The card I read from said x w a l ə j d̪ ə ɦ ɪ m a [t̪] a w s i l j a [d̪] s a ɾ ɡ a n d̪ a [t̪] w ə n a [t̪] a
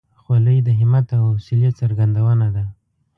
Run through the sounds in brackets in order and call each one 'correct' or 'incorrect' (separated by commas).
correct, incorrect, incorrect, incorrect